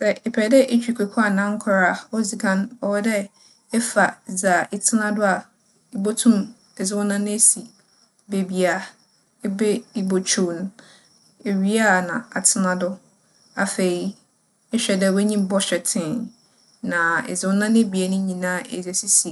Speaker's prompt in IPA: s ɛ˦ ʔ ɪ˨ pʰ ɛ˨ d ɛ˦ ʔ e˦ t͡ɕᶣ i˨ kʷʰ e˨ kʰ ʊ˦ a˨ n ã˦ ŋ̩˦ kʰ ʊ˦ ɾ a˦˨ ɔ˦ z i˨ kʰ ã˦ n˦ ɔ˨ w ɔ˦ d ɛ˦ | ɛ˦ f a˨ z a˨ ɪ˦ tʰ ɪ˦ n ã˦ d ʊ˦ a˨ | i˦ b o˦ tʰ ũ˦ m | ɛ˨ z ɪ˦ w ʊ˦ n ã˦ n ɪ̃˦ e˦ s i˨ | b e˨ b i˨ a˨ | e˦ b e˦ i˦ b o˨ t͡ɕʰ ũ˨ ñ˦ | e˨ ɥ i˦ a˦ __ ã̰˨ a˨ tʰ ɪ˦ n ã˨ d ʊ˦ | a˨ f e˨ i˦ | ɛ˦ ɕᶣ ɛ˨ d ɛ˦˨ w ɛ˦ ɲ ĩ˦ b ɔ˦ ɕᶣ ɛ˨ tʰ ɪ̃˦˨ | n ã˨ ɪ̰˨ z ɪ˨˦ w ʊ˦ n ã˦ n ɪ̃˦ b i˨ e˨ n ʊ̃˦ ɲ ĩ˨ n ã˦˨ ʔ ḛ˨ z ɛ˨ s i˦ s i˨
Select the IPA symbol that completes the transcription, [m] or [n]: n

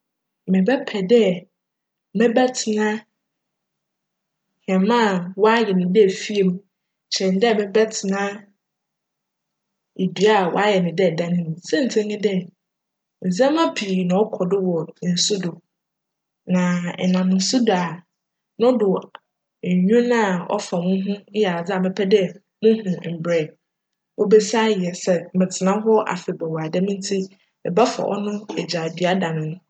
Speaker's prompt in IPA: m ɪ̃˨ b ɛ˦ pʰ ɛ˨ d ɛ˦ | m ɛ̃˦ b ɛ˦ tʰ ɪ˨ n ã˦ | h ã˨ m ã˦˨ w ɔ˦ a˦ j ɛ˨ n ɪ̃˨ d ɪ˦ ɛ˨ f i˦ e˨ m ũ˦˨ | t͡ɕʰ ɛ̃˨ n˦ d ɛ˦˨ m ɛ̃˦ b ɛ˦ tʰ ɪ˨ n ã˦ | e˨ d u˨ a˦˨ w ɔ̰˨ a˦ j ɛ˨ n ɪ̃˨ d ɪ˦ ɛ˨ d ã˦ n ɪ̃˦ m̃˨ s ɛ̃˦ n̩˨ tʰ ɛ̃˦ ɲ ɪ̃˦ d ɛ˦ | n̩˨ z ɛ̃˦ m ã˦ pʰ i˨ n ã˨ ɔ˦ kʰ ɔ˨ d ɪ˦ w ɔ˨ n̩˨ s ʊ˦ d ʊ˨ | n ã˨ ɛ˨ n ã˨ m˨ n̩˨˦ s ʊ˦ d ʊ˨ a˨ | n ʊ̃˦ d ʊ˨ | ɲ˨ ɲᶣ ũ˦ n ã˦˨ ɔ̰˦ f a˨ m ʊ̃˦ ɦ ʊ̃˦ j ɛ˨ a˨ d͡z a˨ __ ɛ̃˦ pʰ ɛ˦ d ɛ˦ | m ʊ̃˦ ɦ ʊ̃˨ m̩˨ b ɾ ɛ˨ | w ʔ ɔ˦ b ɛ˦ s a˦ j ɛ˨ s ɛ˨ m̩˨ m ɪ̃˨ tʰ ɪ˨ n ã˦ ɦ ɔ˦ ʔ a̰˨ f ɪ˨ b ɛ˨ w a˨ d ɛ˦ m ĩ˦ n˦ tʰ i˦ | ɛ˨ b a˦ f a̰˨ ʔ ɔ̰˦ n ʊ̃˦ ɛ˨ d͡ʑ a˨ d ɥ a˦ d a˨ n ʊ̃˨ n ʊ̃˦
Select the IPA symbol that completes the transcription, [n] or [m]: m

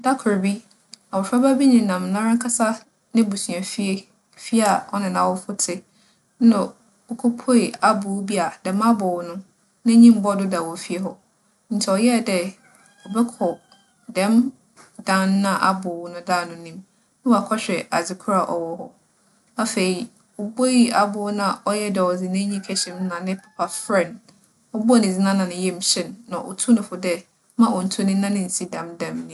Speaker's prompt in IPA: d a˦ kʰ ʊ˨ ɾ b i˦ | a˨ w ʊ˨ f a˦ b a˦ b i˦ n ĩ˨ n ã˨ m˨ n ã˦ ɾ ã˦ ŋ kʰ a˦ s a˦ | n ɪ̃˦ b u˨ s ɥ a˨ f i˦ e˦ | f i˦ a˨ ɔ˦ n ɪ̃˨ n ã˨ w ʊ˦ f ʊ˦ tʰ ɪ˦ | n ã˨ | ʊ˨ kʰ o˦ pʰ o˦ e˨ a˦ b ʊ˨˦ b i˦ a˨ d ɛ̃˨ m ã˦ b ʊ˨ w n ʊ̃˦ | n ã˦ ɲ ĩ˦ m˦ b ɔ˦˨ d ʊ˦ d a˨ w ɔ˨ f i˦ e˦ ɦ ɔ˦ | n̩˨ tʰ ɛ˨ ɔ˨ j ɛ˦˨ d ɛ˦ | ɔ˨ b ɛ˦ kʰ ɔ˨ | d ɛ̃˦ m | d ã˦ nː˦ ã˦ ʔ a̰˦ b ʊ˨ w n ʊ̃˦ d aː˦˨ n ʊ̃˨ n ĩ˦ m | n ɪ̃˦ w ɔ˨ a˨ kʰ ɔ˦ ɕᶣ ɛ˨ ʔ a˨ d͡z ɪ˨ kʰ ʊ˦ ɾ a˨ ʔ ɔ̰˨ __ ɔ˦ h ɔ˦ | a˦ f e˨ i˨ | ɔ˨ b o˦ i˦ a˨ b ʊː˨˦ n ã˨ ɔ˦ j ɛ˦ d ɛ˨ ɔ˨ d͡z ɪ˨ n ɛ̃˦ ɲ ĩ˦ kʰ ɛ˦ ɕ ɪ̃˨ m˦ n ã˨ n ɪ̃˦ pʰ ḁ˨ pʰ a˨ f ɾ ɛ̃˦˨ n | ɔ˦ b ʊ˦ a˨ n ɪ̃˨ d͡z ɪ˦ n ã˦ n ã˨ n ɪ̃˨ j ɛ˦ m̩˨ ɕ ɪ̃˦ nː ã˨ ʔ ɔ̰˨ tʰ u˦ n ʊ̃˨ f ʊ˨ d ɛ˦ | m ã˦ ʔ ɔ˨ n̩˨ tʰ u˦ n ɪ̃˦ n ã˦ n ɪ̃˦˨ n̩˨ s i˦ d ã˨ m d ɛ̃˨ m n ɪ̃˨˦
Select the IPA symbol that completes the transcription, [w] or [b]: w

